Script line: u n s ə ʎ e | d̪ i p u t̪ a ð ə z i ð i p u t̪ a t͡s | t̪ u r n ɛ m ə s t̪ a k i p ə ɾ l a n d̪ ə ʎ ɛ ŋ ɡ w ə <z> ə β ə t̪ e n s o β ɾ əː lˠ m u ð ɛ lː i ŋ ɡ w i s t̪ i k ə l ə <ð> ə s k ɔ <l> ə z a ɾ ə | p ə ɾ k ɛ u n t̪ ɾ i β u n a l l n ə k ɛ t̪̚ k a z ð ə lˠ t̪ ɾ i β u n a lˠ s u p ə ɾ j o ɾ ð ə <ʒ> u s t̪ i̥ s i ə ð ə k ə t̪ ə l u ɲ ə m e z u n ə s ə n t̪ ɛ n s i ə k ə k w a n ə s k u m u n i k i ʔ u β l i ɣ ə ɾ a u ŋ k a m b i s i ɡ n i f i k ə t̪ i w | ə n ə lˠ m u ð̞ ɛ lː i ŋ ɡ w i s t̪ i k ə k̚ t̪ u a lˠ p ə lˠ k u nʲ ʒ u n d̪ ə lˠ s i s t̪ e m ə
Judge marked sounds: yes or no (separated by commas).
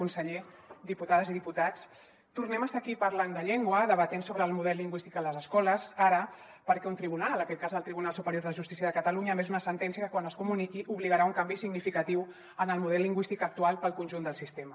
no, no, yes, yes